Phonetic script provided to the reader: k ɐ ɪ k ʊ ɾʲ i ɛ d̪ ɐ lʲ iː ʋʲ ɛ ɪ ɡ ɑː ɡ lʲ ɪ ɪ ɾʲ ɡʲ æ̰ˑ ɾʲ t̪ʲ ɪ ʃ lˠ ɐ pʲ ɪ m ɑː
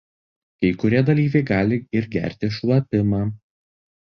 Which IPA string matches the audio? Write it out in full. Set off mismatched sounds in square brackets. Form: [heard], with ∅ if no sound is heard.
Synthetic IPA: k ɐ ɪ k ʊ ɾʲ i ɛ d̪ ɐ lʲ iː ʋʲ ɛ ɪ ɡ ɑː [∅] lʲ ɪ ɪ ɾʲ ɡʲ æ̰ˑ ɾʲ t̪ʲ ɪ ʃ lˠ ɐ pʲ ɪ m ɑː